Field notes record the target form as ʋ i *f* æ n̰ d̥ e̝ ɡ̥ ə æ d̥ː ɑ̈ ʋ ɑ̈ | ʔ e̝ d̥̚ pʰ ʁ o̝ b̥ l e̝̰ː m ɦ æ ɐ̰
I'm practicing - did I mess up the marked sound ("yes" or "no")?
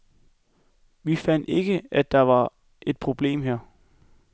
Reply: no